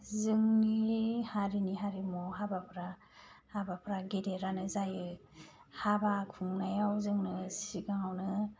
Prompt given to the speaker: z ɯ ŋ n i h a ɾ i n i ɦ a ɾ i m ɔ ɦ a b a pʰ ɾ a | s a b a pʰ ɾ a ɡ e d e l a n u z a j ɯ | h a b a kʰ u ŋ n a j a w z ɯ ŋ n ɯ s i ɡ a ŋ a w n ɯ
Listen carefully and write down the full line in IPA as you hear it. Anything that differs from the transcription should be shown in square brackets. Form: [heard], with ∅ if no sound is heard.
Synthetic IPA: z ɯ ŋ n i h a ɾ i n i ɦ a ɾ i m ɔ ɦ a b a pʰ ɾ a | [h] a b a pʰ ɾ a ɡ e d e [ɾ] a n [ɯ] z a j ɯ | h a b a kʰ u ŋ n a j a w z ɯ ŋ n ɯ s i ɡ a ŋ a w n ɯ